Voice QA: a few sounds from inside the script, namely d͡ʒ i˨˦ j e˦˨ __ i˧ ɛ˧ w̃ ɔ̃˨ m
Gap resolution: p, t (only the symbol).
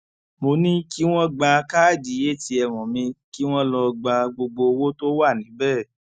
t